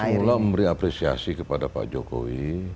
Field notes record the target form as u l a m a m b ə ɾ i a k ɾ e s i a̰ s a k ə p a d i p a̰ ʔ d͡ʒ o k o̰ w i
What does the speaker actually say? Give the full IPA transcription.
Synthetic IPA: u l a m ə m b ə ɾ i a p ɾ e s i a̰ s i k ə p a d a p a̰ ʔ d͡ʒ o k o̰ w i